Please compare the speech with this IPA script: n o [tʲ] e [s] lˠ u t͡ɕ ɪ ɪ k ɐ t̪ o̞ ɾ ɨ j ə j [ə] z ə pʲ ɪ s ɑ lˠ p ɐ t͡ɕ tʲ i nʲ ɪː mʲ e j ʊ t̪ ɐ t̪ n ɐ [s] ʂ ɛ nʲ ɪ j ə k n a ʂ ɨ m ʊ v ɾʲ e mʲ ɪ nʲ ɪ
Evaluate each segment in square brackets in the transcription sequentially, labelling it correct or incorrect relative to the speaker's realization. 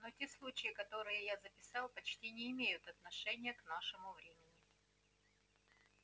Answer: correct, correct, incorrect: a, incorrect: none

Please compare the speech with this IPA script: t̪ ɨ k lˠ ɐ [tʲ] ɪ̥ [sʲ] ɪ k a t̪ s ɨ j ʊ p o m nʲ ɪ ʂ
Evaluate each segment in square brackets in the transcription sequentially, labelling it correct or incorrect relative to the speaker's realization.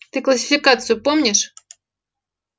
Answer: incorrect: sʲ, incorrect: fʲ

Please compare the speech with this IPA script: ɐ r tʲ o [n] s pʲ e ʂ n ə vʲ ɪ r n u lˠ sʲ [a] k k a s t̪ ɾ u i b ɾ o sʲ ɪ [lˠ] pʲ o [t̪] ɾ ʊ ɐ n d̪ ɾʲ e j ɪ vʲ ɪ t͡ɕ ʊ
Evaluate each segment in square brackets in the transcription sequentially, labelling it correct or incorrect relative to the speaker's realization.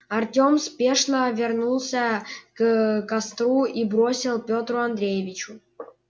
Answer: incorrect: m, incorrect: ə, correct, correct

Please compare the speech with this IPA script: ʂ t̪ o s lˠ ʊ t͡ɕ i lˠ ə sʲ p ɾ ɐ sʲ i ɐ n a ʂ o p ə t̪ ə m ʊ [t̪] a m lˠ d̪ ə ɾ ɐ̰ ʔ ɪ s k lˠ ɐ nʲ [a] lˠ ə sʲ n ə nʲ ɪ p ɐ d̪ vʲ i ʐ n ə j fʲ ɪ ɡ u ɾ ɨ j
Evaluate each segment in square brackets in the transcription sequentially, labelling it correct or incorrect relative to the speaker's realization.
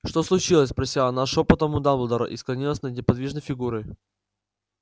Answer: incorrect: d̪, incorrect: i

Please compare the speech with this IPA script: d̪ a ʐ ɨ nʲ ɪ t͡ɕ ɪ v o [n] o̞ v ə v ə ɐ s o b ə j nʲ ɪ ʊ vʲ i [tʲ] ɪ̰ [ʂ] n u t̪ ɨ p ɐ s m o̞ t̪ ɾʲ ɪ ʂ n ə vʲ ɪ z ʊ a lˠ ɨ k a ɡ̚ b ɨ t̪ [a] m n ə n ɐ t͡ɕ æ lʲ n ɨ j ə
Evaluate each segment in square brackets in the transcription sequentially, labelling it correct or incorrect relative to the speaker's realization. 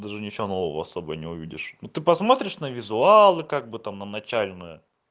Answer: correct, incorrect: dʲ, correct, correct

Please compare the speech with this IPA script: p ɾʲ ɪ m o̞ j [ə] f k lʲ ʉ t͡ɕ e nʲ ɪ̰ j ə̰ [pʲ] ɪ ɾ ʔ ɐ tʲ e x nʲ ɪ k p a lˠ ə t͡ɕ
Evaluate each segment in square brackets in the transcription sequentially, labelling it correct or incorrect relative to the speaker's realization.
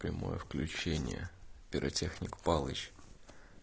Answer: correct, correct

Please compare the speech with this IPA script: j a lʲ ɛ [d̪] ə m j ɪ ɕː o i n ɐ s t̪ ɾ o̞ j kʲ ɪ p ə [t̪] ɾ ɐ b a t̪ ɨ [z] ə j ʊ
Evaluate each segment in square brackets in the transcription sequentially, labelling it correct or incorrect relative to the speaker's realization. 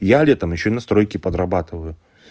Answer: incorrect: t̪, incorrect: d̪, incorrect: v

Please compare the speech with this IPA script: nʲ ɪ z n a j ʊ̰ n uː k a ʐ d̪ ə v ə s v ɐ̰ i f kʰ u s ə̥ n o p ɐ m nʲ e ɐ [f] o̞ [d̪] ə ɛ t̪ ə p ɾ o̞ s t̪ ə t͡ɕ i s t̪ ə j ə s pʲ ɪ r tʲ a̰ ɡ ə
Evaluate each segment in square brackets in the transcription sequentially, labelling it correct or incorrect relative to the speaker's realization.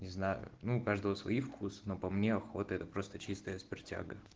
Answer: incorrect: x, incorrect: t̪

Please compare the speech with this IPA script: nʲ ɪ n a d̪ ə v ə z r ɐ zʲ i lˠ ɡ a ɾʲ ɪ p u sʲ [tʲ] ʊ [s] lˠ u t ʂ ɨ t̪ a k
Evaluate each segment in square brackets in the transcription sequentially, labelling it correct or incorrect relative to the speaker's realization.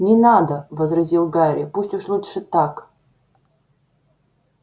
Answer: correct, incorrect: ʂ

